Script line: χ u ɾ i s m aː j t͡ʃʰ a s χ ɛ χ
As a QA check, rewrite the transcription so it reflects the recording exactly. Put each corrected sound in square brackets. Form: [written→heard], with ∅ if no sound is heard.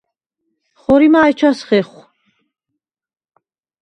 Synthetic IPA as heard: χ [u→ɔ] ɾ i [s→∅] m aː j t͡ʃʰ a s χ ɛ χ